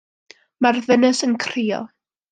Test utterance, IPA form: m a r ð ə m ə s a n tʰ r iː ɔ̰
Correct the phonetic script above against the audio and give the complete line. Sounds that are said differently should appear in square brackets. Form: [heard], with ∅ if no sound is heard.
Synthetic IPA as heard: m a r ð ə [n] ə s [ə] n [kʰ] r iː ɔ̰

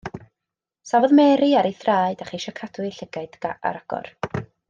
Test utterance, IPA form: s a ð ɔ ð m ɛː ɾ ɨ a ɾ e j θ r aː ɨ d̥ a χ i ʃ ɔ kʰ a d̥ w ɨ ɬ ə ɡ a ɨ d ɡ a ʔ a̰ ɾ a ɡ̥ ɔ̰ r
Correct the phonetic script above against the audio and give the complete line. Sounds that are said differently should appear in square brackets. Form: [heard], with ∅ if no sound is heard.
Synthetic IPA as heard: s a [v] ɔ ð m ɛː ɾ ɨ a ɾ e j θ r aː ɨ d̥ a χ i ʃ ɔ kʰ a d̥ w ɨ ɬ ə ɡ a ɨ d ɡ a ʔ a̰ ɾ a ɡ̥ ɔ̰ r

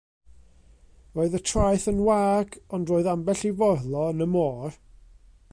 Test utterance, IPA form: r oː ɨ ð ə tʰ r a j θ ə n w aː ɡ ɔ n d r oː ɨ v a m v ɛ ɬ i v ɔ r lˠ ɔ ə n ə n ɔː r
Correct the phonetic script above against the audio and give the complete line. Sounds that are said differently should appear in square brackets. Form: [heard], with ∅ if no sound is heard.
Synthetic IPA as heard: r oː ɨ ð ə tʰ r a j θ ə n w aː ɡ ɔ n d r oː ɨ [ð] a m [b] ɛ ɬ i v ɔ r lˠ ɔ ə n ə [m] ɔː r

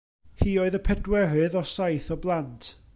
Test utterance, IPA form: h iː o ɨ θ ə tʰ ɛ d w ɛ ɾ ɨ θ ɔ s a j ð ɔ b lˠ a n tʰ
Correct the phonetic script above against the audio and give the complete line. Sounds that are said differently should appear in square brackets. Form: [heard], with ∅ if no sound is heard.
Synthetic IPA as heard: h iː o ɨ [ð] ə [pʰ] ɛ d w ɛ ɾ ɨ [ð] ɔ s a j [θ] ɔ b lˠ a n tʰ

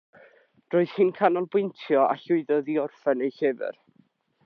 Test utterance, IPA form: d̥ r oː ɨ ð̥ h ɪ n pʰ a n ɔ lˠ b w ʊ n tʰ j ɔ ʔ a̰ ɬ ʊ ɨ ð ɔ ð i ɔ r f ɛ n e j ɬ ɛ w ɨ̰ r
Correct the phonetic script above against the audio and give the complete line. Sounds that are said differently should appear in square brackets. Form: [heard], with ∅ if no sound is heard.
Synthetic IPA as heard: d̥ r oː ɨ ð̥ h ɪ n [kʰ] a n ɔ lˠ b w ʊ n tʰ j ɔ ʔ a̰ ɬ ʊ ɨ ð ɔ ð i ɔ r f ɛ n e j ɬ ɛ [v] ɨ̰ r

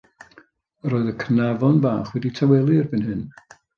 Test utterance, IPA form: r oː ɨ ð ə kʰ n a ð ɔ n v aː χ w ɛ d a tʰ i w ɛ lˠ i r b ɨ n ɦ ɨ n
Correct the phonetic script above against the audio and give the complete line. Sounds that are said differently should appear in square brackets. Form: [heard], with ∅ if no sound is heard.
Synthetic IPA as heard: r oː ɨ ð ə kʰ n a [v] ɔ n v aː χ w ɛ d [i] tʰ [a] w ɛ lˠ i r b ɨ n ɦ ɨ n

